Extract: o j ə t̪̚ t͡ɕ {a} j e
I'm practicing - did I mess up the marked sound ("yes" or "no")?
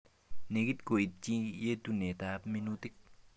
yes